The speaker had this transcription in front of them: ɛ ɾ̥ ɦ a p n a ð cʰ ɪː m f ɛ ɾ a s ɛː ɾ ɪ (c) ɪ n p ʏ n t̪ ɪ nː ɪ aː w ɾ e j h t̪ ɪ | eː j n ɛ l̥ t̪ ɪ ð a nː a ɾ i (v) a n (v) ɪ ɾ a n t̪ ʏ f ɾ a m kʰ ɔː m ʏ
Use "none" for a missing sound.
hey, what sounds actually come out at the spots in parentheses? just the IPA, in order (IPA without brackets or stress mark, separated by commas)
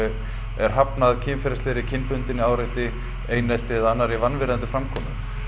cʰ, v, v